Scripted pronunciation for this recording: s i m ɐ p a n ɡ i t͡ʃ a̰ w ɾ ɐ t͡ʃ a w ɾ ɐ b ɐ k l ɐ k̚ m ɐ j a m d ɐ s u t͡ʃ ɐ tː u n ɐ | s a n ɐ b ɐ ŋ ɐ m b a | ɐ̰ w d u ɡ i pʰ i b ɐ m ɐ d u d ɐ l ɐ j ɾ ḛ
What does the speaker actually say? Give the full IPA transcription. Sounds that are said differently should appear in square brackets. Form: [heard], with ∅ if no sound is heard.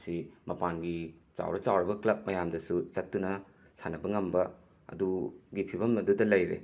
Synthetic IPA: s i m ɐ p a n ɡ i t͡ʃ a̰ w ɾ ɐ t͡ʃ a w ɾ ɐ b ɐ k l ɐ [p̚] m ɐ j a m d ɐ s u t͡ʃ ɐ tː u n ɐ | s a n ɐ b ɐ ŋ ɐ m b [ɐ] | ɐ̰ [∅] d u ɡ i pʰ i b ɐ m ɐ d u d ɐ l ɐ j ɾ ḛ